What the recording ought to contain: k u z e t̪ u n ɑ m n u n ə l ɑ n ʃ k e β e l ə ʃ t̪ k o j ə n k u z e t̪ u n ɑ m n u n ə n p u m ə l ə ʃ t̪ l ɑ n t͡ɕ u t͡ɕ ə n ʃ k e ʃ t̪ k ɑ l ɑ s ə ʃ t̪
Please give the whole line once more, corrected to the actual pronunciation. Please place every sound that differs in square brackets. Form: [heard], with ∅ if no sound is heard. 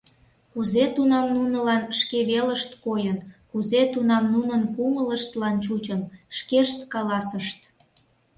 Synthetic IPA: k u z e t̪ u n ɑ m n u n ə l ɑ n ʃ k e β e l ə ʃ t̪ k o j ə n k u z e t̪ u n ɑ m n u n ə n p u m ə l ə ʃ t̪ l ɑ n t͡ɕ u t͡ɕ ə n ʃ k e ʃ t̪ k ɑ l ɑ s ə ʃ t̪